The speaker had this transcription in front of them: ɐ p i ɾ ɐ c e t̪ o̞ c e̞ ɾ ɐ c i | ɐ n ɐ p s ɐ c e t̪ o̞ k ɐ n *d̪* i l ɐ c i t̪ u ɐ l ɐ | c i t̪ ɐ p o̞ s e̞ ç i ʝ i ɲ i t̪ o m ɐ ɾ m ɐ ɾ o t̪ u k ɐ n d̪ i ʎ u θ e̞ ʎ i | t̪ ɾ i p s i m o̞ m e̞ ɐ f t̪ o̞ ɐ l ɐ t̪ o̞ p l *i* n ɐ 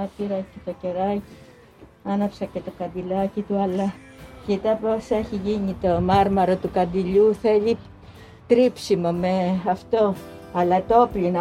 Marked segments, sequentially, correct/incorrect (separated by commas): correct, correct